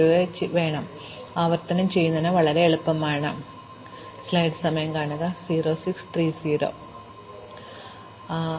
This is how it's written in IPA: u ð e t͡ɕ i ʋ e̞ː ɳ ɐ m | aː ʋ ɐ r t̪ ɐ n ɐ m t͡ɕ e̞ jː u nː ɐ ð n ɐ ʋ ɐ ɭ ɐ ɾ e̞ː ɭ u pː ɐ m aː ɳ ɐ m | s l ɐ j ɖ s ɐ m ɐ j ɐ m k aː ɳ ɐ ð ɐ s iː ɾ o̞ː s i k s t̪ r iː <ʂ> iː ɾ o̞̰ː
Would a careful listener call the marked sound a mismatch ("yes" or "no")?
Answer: yes